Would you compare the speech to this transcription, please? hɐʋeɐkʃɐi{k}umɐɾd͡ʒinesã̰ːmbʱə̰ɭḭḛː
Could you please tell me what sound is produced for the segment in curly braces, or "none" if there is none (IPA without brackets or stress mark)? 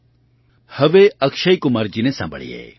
k